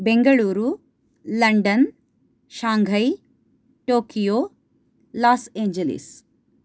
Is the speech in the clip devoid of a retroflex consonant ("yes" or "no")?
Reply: no